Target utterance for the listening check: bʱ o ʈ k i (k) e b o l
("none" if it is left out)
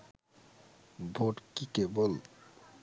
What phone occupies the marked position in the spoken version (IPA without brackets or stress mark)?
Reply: k